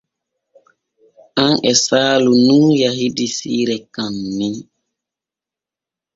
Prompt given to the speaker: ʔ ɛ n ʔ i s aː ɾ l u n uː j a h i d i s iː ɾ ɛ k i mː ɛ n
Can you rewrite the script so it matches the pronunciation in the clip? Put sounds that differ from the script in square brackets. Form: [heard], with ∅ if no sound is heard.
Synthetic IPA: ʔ [a] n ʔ [ɛ] s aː [∅] l u n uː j a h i d i s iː ɾ ɛ k [a] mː [i] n